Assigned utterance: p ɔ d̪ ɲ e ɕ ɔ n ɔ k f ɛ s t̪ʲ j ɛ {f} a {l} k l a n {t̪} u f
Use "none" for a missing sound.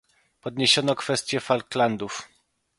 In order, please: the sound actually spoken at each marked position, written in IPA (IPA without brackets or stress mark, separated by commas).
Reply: f, l, d̪